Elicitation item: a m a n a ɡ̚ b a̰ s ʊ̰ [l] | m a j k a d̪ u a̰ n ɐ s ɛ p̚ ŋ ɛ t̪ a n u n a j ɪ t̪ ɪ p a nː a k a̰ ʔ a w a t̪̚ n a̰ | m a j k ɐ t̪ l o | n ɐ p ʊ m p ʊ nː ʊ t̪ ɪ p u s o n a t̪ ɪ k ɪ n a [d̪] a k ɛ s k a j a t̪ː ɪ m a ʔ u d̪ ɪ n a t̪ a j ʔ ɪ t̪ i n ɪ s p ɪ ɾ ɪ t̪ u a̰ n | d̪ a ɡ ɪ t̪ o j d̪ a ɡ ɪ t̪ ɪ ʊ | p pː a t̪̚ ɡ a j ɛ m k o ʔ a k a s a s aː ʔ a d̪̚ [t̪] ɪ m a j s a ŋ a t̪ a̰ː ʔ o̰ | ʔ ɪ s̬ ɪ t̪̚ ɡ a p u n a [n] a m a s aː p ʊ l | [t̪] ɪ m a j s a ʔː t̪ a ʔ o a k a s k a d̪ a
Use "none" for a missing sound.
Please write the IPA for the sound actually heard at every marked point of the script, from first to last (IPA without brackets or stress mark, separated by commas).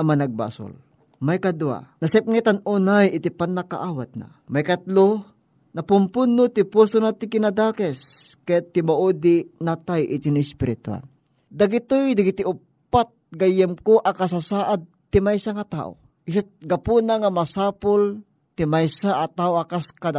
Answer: l, d̪, t̪, ŋ, t̪